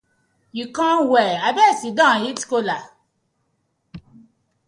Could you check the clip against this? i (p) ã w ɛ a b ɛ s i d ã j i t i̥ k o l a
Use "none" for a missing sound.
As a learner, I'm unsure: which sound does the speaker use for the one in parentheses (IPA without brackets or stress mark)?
k